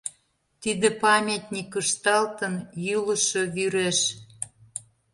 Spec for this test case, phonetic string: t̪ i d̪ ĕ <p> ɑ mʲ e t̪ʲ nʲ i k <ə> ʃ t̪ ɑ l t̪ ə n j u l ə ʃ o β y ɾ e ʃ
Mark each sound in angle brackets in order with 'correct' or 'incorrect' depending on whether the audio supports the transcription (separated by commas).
correct, correct